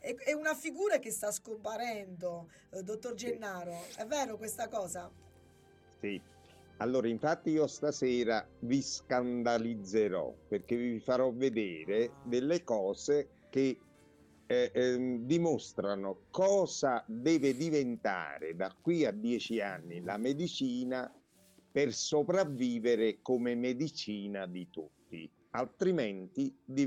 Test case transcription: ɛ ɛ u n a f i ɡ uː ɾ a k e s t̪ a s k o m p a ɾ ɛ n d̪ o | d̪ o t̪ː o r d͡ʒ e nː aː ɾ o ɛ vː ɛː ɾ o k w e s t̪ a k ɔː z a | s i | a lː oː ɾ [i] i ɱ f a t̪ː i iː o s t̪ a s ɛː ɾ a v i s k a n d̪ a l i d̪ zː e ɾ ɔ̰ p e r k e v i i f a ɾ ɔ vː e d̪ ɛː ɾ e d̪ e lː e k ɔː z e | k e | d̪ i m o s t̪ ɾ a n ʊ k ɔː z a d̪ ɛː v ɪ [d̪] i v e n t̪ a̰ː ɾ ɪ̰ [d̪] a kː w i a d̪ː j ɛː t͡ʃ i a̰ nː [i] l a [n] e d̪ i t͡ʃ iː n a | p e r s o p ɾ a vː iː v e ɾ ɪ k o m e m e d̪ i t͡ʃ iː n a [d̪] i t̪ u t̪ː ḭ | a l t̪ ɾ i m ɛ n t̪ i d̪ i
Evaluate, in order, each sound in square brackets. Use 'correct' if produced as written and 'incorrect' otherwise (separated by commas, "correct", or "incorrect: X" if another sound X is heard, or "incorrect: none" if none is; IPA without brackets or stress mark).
incorrect: a, correct, correct, correct, incorrect: m, correct